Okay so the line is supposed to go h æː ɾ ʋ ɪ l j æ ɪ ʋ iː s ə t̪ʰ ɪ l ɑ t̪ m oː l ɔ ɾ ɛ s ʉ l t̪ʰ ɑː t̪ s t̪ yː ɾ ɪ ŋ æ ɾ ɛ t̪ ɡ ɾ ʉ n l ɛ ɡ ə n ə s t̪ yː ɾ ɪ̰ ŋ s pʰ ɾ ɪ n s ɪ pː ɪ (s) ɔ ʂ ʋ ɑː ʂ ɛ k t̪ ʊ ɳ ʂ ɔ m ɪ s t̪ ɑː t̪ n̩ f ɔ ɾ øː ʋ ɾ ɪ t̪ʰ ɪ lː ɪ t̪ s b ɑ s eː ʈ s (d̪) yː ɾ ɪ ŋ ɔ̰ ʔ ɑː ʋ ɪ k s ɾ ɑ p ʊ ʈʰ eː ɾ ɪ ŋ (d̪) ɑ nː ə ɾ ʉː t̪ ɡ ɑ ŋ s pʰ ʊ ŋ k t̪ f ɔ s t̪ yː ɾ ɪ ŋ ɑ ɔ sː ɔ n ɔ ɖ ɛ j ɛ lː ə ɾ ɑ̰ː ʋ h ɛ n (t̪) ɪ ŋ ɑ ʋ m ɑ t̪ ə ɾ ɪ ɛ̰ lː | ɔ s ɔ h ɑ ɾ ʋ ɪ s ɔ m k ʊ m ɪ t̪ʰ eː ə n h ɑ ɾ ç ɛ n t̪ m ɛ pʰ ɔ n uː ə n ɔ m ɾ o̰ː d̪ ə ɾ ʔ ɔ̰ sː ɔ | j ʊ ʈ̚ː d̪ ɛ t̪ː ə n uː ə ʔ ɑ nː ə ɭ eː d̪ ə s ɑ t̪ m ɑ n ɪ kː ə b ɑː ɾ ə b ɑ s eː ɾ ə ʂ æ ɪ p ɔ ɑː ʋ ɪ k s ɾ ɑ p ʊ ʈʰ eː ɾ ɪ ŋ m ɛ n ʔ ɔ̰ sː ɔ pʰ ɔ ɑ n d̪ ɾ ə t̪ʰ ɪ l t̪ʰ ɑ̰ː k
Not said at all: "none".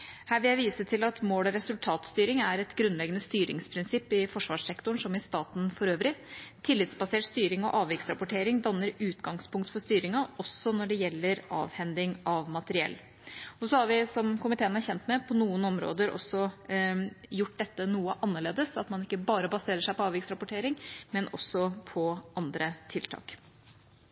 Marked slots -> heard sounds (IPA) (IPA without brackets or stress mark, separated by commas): f, t̪, d̪, d̪